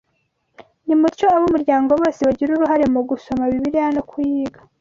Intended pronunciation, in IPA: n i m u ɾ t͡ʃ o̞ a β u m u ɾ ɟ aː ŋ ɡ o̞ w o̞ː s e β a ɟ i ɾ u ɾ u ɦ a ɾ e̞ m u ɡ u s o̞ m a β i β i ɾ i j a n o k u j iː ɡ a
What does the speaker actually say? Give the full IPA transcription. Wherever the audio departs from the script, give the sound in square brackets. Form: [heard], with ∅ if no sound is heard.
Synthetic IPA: n i m u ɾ t͡ʃ o̞ a β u m u ɾ ɟ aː ŋ ɡ o̞ [β] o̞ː s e β a ɟ i ɾ u ɾ u ɦ a ɾ e̞ m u ɡ u s o̞ m a β i β i ɾ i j a n o k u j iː ɡ a